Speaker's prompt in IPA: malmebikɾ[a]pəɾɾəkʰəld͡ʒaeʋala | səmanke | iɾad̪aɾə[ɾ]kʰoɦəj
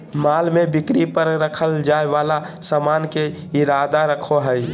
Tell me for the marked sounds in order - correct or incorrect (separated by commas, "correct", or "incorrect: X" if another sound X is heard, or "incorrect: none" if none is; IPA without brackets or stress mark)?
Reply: incorrect: i, incorrect: none